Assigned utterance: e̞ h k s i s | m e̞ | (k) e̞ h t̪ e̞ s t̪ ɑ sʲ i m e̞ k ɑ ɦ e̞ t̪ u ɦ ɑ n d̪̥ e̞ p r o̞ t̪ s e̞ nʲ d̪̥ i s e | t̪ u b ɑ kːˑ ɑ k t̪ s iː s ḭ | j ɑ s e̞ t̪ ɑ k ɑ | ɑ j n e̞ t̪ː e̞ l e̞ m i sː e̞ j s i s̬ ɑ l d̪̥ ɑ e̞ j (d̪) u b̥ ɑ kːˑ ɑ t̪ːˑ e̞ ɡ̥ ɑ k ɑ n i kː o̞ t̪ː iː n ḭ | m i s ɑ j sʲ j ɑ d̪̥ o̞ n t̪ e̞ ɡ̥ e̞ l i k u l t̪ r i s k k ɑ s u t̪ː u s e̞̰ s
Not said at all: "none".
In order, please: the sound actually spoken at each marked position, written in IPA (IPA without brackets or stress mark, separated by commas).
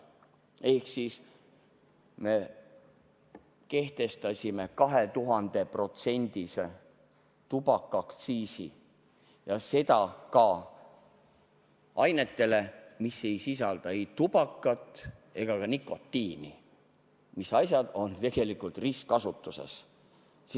k, t̪